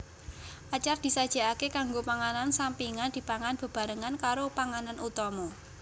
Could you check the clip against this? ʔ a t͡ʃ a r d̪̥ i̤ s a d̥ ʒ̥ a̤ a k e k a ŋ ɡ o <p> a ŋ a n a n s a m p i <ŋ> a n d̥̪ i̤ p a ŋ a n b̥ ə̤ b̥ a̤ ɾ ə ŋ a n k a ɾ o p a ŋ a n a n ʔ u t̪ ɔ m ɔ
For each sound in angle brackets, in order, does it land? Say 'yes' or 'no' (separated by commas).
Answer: yes, yes